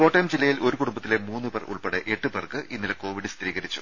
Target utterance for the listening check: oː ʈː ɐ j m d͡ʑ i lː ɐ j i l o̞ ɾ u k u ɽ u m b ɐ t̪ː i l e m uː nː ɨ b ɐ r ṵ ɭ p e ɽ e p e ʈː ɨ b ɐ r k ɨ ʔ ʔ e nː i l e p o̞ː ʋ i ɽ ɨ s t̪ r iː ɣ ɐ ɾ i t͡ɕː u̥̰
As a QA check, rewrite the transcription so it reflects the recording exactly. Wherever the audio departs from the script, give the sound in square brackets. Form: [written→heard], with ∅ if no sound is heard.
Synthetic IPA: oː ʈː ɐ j m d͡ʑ i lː ɐ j i l o̞ ɾ u k u ɽ u m b ɐ t̪ː i l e m uː nː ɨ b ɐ r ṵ ɭ p e ɽ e [p→ʔ] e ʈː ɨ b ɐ r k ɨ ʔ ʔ [e→i] nː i l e [p→k] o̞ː ʋ i ɽ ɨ s t̪ r iː ɣ ɐ ɾ i t͡ɕː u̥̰

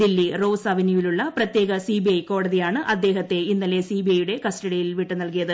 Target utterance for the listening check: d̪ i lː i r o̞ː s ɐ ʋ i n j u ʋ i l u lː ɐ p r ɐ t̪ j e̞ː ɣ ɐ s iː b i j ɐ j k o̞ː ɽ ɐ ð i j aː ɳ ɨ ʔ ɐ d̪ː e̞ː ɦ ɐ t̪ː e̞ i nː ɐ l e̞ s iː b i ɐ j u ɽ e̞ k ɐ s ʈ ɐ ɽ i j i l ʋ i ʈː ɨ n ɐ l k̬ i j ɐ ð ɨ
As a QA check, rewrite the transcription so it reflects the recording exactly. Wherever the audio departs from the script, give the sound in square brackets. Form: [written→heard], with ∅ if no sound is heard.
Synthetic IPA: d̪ i lː i r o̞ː s ɐ ʋ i n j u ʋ i l u [lː→ɭː] ɐ p r ɐ t̪ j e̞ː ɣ ɐ s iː b i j ɐ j k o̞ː ɽ ɐ ð i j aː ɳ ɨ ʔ ɐ d̪ː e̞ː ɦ ɐ t̪ː e̞ i nː ɐ l e̞ s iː b i ɐ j u ɽ e̞ k ɐ s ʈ ɐ ɽ i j i l ʋ i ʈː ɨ n ɐ l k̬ i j ɐ ð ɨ

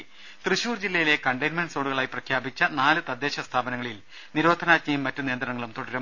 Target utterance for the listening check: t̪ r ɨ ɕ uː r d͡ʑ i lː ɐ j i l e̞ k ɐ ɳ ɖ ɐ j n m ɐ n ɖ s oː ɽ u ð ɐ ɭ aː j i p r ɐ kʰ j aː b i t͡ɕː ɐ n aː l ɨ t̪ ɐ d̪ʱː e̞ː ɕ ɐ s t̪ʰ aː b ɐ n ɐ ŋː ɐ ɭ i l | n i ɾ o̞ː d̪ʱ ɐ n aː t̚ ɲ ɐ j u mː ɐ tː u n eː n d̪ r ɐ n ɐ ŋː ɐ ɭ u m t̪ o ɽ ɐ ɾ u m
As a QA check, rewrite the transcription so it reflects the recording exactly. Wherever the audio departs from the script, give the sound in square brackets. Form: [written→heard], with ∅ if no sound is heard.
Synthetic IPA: t̪ r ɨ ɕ uː r d͡ʑ i lː ɐ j i l e̞ k ɐ ɳ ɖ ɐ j n m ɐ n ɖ s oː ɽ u [ð→ɣ] ɐ ɭ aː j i p r ɐ kʰ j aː b i t͡ɕː ɐ n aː l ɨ t̪ ɐ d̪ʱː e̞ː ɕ ɐ s t̪ʰ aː b ɐ n ɐ ŋː ɐ ɭ i l | n i ɾ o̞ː d̪ʱ ɐ n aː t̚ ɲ ɐ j u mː ɐ tː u n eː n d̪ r ɐ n ɐ ŋː ɐ ɭ u m t̪ o ɽ ɐ ɾ u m

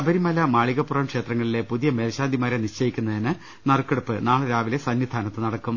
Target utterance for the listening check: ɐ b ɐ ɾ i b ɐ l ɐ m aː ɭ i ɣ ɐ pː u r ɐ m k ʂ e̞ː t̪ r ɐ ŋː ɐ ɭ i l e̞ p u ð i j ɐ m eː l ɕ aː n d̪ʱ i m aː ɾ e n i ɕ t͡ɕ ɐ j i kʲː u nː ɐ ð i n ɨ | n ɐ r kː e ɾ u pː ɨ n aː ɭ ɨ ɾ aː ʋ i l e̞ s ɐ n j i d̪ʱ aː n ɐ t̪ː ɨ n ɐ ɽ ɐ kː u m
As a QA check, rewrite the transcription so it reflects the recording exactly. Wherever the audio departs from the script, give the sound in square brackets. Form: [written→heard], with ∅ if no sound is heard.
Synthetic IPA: ɐ b ɐ ɾ i [b→m] ɐ l ɐ m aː ɭ i ɣ ɐ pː u r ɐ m k ʂ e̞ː t̪ r ɐ ŋː ɐ ɭ i l e̞ p u ð i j ɐ m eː l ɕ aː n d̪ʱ i m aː ɾ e n i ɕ t͡ɕ ɐ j i kʲː u nː ɐ ð i n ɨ | n ɐ r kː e [ɾ→ɽ] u pː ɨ n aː ɭ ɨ ɾ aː ʋ i l e̞ s ɐ n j i d̪ʱ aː n ɐ t̪ː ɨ n ɐ ɽ ɐ kː u m

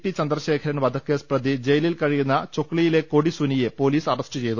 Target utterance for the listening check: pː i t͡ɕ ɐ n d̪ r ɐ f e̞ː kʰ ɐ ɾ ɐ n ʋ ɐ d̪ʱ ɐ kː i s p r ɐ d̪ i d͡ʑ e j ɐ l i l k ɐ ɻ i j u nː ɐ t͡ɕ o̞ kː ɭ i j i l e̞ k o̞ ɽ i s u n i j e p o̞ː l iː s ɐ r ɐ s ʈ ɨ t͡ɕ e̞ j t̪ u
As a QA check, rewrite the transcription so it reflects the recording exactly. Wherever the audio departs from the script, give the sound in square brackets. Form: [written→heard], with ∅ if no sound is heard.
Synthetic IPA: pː i t͡ɕ ɐ n d̪ r ɐ [f→ɕ] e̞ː kʰ ɐ ɾ ɐ n ʋ ɐ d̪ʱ ɐ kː [i→e] s p r ɐ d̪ i d͡ʑ e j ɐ l i l k ɐ ɻ i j u nː ɐ t͡ɕ o̞ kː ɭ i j i l e̞ k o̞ ɽ i s u n i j e p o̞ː l iː s ɐ r ɐ s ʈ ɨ t͡ɕ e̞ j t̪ u

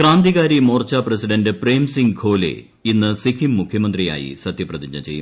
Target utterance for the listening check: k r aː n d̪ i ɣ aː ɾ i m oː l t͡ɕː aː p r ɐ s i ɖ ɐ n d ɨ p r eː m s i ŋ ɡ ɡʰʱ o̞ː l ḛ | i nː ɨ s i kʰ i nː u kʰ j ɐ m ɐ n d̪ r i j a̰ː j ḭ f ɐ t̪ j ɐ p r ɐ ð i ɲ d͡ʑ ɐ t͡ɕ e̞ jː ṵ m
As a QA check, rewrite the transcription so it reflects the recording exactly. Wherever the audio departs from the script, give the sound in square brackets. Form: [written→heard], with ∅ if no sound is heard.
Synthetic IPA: k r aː n d̪ i ɣ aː ɾ i m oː [l→r] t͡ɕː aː p r ɐ s i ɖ ɐ n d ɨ p r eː m s i ŋ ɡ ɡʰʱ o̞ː l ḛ | i nː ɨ s i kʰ i [nː→mː] u kʰ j ɐ m ɐ n d̪ r i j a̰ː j ḭ [f→s] ɐ t̪ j ɐ p r ɐ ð i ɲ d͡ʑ ɐ t͡ɕ e̞ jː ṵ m

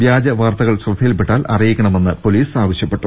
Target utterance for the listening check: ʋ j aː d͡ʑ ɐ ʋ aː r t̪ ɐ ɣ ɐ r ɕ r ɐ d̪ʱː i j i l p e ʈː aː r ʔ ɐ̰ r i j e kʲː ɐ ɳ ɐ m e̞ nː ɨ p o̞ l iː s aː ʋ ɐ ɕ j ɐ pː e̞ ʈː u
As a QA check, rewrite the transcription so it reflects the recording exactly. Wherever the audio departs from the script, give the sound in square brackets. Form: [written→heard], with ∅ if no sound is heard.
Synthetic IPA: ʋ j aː d͡ʑ ɐ ʋ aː r t̪ ɐ ɣ ɐ [r→ɭ] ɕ r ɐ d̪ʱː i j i l p e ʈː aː [r→l] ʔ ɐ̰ r i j [e→i] kʲː ɐ ɳ ɐ m e̞ nː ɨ p o̞ l iː s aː ʋ ɐ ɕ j ɐ pː e̞ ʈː u

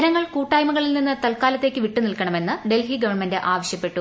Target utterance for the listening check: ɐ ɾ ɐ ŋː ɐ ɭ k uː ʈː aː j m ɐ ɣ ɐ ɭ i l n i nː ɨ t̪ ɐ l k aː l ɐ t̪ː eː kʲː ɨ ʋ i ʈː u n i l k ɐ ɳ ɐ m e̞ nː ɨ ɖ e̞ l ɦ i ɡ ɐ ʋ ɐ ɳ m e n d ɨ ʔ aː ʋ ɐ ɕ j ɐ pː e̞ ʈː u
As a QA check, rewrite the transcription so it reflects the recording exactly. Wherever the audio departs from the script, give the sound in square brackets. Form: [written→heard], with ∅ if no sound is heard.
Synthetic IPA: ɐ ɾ ɐ ŋː ɐ ɭ k uː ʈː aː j m ɐ ɣ ɐ ɭ i l n i nː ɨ t̪ ɐ l k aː l ɐ t̪ː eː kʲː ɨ ʋ i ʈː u n i l k ɐ ɳ ɐ m e̞ nː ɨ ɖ e̞ l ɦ i ɡ ɐ ʋ ɐ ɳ m e n d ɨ ʔ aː ʋ ɐ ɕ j ɐ pː e̞ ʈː u

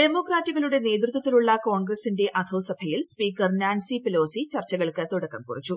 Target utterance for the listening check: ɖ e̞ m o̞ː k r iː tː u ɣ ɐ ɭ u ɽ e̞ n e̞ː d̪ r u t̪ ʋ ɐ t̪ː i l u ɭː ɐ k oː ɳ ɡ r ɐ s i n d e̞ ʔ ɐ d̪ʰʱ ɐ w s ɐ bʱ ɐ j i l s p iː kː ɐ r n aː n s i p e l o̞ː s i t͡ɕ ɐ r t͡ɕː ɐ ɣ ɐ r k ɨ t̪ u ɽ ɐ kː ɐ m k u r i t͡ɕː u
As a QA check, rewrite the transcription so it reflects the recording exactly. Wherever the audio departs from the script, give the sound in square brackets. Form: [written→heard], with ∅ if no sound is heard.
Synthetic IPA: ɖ e̞ m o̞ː k r [iː→aː] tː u ɣ ɐ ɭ u ɽ e̞ n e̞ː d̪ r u t̪ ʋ ɐ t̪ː i l u ɭː ɐ k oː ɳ ɡ r ɐ s i n d e̞ ʔ ɐ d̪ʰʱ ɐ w s ɐ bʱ ɐ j i l s p iː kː ɐ r n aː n s i p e l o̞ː s i t͡ɕ ɐ r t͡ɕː ɐ ɣ ɐ [r→ɭ] k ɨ t̪ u ɽ ɐ kː ɐ m k u r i t͡ɕː u

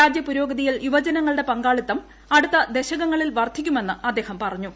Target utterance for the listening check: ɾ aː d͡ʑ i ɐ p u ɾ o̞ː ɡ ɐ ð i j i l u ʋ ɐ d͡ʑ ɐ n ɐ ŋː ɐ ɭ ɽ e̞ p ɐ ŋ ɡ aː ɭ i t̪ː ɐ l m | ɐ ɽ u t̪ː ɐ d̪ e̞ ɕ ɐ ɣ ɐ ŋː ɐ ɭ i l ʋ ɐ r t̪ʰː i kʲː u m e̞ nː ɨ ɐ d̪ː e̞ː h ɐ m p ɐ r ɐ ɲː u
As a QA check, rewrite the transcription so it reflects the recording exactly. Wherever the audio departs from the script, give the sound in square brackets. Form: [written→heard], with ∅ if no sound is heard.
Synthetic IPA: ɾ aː d͡ʑ [i→j] ɐ p u ɾ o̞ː ɡ ɐ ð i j i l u ʋ ɐ d͡ʑ ɐ n ɐ ŋː ɐ ɭ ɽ e̞ p ɐ ŋ ɡ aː ɭ i t̪ː ɐ [l→∅] m | ɐ ɽ u t̪ː ɐ d̪ e̞ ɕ ɐ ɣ ɐ ŋː ɐ ɭ i l ʋ ɐ r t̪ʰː i kʲː u m e̞ nː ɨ ɐ d̪ː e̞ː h ɐ m p ɐ r ɐ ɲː u

